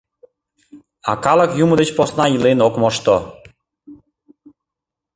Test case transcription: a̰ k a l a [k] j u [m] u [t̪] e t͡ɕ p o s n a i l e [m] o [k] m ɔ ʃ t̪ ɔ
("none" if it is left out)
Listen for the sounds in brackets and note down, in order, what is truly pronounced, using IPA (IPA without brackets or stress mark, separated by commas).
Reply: k, m, d̪, n, k